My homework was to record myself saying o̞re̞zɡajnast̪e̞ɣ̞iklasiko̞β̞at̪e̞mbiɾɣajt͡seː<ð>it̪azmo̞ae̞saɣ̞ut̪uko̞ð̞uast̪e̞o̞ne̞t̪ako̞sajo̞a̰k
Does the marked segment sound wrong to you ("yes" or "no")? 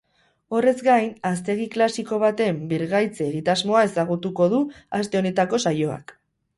yes